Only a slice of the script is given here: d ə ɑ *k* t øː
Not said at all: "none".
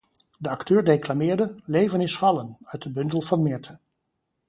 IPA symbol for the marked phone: k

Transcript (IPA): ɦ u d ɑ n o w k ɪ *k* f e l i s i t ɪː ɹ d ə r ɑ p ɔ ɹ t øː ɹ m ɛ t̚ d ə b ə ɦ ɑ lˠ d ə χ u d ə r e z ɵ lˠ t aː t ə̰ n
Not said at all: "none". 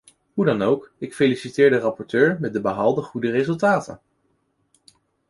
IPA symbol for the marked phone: k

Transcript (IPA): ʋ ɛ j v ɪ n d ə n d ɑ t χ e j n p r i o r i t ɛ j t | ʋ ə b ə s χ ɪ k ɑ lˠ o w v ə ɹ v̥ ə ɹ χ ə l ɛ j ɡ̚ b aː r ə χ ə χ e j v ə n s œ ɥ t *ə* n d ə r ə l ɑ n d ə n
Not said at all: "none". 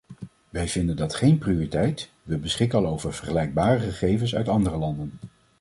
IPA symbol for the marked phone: ɑ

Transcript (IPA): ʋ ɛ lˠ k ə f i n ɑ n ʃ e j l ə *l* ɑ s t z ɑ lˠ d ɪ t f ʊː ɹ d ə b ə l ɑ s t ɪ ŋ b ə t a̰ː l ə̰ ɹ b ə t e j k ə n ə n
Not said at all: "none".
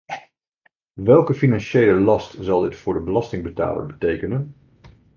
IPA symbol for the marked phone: l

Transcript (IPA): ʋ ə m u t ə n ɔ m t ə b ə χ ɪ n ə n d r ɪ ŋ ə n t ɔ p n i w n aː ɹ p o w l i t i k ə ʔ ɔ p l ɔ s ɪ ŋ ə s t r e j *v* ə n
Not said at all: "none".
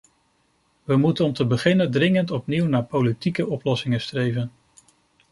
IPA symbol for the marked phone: v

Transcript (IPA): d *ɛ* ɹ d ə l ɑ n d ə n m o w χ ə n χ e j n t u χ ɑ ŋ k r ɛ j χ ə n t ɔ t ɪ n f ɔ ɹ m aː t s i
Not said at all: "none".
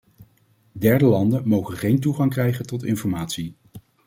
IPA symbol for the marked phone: ɛ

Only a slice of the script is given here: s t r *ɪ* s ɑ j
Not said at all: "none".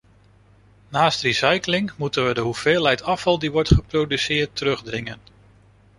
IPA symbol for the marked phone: i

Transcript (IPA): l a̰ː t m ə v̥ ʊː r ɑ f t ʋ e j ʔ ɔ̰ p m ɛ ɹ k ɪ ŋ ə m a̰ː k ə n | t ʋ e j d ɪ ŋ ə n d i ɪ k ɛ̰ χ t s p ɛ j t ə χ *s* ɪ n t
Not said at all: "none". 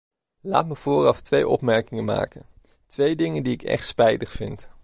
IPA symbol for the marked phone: f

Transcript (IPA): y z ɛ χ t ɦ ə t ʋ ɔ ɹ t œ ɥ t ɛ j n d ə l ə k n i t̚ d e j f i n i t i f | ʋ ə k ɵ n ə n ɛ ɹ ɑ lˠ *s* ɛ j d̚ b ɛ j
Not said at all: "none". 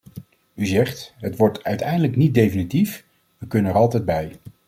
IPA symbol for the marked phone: t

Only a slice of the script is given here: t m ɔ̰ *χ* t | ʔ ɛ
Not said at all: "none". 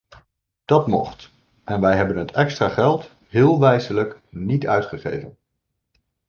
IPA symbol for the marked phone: χ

